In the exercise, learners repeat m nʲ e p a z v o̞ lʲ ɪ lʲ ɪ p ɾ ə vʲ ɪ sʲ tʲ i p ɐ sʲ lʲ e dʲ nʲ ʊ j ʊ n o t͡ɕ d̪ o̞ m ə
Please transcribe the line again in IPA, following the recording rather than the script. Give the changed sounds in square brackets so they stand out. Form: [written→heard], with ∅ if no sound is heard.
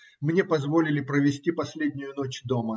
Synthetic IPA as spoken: m nʲ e p [a→ɐ] z v o̞ lʲ ɪ lʲ ɪ p ɾ ə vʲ ɪ sʲ tʲ i p ɐ sʲ lʲ e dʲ nʲ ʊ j ʊ n o t͡ɕ d̪ o̞ m ə

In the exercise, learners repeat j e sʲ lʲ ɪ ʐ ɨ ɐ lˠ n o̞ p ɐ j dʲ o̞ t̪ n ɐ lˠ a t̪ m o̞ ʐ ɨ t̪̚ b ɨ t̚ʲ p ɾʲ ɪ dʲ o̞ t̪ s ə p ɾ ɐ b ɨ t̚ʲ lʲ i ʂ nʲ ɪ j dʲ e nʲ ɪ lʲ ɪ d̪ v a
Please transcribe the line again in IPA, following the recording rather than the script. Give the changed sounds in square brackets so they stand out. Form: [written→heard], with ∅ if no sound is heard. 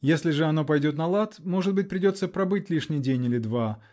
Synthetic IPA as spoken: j e sʲ lʲ ɪ ʐ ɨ ɐ [lˠ→∅] n o̞ p ɐ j dʲ o̞ t̪ n ɐ lˠ a t̪ m o̞ ʐ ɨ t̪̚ b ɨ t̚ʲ p ɾʲ ɪ dʲ o̞ t̪ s ə p ɾ ɐ b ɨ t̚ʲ lʲ i ʂ nʲ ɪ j dʲ e nʲ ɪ lʲ ɪ d̪ v a

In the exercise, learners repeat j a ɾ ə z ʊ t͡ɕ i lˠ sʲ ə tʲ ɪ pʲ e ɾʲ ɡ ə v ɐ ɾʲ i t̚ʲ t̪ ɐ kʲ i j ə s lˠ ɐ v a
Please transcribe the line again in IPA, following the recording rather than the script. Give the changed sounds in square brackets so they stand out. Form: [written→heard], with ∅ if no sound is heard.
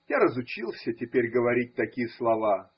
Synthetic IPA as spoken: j a ɾ ə z ʊ t͡ɕ i lˠ sʲ ə tʲ ɪ pʲ e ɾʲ ɡ ə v ɐ ɾʲ i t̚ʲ t̪ ɐ kʲ i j ə s lˠ ɐ v a

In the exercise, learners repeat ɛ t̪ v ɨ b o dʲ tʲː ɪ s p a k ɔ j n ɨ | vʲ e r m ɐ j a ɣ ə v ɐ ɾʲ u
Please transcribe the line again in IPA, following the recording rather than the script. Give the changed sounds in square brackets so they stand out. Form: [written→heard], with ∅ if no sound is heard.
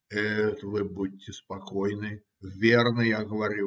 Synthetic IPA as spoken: ɛ t̪ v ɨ b [o→u] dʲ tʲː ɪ s p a k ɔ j n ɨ | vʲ e r [m→n] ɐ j a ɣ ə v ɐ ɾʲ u

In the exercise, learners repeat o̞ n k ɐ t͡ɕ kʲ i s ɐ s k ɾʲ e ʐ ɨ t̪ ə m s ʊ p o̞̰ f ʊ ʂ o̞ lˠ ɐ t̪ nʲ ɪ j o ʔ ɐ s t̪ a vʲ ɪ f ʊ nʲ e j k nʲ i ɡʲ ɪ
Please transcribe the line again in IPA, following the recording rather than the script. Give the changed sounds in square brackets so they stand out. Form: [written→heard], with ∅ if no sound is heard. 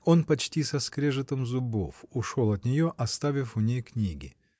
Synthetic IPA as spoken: o̞ n [k→p] ɐ t͡ɕ [kʲ→tʲ] i s ɐ s k ɾʲ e ʐ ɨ t̪ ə m [s→z] ʊ [p→b] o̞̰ f ʊ ʂ o̞ lˠ ɐ t̪ nʲ ɪ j o ʔ ɐ s t̪ a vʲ ɪ f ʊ nʲ e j k nʲ i ɡʲ ɪ

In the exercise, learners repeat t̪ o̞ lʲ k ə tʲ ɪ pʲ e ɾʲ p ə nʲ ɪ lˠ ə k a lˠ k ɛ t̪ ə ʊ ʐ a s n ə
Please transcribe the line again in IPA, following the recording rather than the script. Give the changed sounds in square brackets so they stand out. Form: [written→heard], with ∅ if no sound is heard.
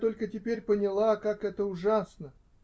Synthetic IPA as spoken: t̪ o̞ lʲ k ə tʲ ɪ pʲ e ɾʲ p ə nʲ ɪ lˠ [ə→a] k a [lˠ→∅] k ɛ t̪ ə ʊ ʐ a s n ə

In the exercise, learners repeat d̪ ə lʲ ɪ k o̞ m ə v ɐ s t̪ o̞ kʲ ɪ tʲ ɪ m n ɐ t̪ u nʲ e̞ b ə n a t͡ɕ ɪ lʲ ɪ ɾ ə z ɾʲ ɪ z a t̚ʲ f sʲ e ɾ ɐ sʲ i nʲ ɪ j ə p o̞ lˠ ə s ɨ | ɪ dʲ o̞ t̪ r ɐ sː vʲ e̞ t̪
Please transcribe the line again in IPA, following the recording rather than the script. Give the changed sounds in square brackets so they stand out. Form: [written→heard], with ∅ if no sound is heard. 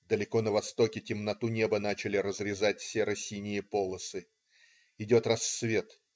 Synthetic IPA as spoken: d̪ ə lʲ ɪ k o̞ [m→n] ə v ɐ s t̪ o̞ kʲ ɪ tʲ ɪ m n ɐ t̪ u nʲ e̞ b ə n a t͡ɕ ɪ lʲ ɪ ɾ ə z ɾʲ ɪ z a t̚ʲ f sʲ e ɾ ɐ sʲ i nʲ ɪ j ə p o̞ lˠ ə s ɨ | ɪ dʲ o̞ t̪ r ɐ sː vʲ e̞ t̪

